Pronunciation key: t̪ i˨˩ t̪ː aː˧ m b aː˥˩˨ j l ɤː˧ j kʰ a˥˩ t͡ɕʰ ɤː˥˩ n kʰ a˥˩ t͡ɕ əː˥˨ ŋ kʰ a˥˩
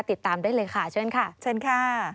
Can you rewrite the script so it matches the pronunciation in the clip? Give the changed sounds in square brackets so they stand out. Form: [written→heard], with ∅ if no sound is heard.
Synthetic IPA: t̪ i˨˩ t̪ː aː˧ m [b→d] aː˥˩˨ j l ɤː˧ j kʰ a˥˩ t͡ɕʰ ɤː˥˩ n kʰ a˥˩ [t͡ɕ→t͡ɕʰ] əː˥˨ [ŋ→n] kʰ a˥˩